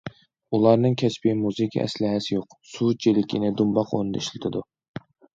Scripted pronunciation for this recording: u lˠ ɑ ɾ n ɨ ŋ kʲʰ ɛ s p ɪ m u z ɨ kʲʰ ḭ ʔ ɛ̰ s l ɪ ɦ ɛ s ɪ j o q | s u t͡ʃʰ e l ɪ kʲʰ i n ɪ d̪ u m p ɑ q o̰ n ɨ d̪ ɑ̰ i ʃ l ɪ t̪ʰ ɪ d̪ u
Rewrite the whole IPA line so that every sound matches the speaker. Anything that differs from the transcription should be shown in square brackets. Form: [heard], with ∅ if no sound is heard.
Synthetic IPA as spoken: u lˠ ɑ ɾ n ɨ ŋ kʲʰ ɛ s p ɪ m u z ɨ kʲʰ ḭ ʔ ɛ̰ s l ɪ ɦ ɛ s ɪ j o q | s u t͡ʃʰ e l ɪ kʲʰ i n ɪ d̪ u m [b] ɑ q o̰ n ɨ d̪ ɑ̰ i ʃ l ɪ t̪ʰ ɪ d̪ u

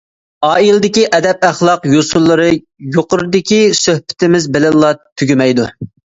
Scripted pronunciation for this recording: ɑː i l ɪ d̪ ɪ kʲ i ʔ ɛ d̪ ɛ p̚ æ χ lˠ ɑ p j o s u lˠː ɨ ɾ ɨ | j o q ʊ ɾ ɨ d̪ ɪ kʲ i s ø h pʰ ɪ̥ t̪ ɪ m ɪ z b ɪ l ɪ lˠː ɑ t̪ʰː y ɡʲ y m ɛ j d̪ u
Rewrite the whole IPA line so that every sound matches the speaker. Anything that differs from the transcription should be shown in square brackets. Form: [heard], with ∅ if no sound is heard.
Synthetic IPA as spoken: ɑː i l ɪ d̪ ɪ kʲ i ʔ ɛ d̪ ɛ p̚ æ χ lˠ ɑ [q] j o s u lˠː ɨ ɾ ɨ | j o q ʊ ɾ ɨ d̪ ɪ kʲ i s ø h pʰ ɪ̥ t̪ ɪ m ɪ z b ɪ l ɪ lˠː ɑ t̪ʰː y ɡʲ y m ɛ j d̪ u

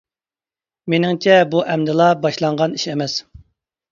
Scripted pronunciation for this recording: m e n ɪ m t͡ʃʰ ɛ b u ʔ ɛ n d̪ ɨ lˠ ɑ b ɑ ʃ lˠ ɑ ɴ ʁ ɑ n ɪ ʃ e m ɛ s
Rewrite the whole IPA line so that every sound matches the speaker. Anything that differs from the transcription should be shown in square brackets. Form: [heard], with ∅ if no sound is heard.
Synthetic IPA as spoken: m e n ɪ [ŋ] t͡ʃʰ ɛ b u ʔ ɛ [m] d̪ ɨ lˠ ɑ b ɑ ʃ lˠ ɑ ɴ ʁ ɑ n [i] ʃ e m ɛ s

